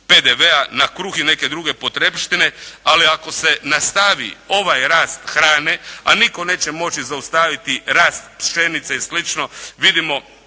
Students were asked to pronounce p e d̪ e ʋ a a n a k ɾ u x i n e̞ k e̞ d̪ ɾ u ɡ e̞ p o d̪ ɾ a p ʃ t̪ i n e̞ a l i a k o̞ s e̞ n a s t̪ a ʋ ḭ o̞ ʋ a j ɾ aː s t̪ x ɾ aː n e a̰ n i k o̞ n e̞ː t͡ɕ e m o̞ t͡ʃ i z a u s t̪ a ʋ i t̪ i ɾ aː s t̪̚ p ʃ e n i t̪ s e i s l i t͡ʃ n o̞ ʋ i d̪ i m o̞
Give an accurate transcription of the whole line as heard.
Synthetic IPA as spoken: p e d̪ e ʋ e a n a k ɾ u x i n e̞ k e̞ d̪ ɾ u ɡ e̞ p o t̪ ɾ e p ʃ t̪ i n e̞ a l i a k o̞ s e̞ n a s t̪ a ʋ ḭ o̞ ʋ a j ɾ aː s t̪ x ɾ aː n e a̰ n i k o̞ n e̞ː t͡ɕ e m o̞ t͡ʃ i z a u s t̪ a ʋ i t̪ i ɾ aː s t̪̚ p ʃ e n i t̪ s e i s l i t͡ʃ n o̞ ʋ i d̪ i m o̞